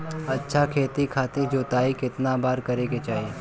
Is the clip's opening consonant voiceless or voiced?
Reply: voiceless